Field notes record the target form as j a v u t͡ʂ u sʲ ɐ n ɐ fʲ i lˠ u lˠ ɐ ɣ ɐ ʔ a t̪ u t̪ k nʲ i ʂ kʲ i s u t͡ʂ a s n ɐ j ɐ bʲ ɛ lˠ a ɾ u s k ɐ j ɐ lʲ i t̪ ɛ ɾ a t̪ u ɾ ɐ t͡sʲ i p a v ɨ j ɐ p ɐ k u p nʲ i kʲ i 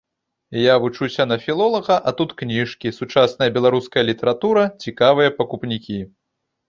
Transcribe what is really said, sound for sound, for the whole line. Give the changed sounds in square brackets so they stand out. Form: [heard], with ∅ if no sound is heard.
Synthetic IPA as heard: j a v u t͡ʂ u sʲ ɐ n ɐ fʲ i lˠ [ɔ] lˠ ɐ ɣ ɐ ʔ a t̪ u t̪ k nʲ i ʂ kʲ i s u t͡ʂ a s n ɐ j ɐ bʲ ɛ lˠ a ɾ u s k ɐ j ɐ lʲ i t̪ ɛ ɾ a t̪ u ɾ ɐ t͡sʲ i [k] a v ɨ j ɐ p ɐ k u p nʲ i kʲ i